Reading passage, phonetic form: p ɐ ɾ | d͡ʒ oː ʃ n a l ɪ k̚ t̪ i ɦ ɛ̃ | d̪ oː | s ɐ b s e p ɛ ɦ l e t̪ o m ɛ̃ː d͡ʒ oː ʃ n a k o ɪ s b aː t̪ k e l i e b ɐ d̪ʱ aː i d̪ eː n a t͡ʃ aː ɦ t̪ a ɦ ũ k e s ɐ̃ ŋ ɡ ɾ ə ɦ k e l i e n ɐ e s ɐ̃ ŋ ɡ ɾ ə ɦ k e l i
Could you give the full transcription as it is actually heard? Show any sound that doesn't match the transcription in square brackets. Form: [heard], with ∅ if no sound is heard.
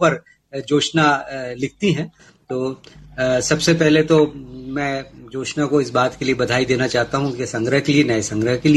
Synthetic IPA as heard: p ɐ ɾ | d͡ʒ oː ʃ n a l ɪ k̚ t̪ i ɦ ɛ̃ | [t̪] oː | s ɐ b s e p ɛ ɦ l e t̪ o m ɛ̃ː d͡ʒ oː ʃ n a k o ɪ s b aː t̪ k e l i e b ɐ d̪ʱ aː i d̪ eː n a t͡ʃ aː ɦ t̪ a ɦ ũ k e s ɐ̃ ŋ ɡ ɾ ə ɦ k e l i e n ɐ e s ɐ̃ ŋ ɡ ɾ ə ɦ k e l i